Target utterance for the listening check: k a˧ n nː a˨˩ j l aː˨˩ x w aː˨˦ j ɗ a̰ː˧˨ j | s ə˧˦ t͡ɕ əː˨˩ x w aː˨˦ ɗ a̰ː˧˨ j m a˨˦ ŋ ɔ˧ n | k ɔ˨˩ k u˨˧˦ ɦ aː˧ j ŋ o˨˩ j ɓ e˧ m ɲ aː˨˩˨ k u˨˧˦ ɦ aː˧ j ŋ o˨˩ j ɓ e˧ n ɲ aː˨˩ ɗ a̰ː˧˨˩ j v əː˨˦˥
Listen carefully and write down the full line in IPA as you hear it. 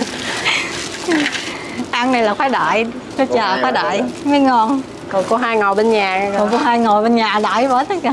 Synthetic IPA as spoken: ʔ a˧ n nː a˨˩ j l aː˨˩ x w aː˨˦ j ɗ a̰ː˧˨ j | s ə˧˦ t͡ɕ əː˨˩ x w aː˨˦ ɗ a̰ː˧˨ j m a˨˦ ŋ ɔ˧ n | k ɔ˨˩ k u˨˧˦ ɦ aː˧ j ŋ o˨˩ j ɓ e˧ n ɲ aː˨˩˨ k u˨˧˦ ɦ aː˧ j ŋ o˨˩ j ɓ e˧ n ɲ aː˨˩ ɗ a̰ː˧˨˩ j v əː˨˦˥